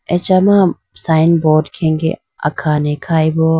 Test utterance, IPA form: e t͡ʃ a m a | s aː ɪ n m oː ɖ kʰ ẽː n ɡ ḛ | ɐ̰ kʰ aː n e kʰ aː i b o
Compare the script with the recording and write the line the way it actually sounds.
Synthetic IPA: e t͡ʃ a m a | s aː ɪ n b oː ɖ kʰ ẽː ŋ ɡ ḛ | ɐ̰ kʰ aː n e kʰ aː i b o

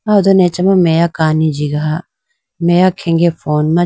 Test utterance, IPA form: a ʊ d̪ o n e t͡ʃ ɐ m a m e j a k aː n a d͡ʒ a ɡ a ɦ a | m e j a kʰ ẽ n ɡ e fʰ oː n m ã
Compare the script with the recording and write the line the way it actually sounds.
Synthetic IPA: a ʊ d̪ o n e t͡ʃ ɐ m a m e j a k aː n i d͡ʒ i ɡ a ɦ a | m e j a kʰ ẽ ŋ ɡ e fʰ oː n m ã

